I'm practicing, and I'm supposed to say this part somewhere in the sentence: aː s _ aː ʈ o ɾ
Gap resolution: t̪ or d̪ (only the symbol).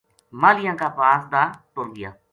d̪